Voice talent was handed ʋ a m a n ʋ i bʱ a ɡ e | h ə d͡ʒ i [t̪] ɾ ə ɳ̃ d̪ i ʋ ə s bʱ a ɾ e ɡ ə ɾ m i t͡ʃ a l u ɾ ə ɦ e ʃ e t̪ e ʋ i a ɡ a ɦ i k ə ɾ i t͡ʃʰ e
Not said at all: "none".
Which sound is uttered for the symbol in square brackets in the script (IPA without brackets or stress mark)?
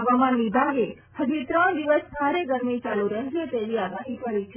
t̪